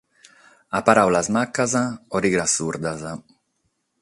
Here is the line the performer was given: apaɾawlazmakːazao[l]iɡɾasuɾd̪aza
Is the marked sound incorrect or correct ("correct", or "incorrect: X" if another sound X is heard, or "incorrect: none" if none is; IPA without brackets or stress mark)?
incorrect: ɾ